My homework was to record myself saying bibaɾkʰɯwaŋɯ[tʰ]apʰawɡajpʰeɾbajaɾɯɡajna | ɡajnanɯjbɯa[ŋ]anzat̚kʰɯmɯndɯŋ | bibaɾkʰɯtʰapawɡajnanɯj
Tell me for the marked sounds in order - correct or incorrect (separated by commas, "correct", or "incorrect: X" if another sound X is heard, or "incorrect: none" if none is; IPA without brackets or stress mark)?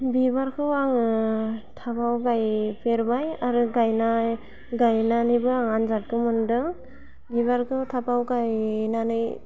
correct, correct